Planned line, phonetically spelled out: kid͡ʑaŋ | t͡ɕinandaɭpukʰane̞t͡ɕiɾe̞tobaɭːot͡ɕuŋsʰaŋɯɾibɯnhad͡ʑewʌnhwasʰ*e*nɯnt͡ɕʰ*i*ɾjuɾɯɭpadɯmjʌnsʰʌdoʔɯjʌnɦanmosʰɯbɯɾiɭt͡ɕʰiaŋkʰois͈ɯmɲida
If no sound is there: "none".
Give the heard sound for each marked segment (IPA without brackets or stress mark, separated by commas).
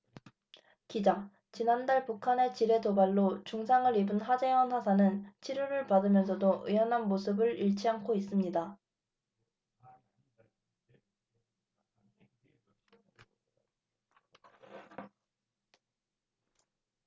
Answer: a, i